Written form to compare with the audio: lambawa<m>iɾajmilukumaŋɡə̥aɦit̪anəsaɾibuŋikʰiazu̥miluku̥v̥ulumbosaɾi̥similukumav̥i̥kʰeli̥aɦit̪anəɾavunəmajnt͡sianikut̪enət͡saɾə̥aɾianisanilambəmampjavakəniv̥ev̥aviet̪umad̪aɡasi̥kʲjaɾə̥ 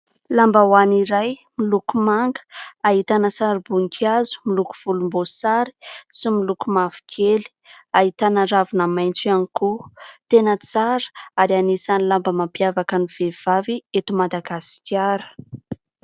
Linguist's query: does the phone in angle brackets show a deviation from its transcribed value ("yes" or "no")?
yes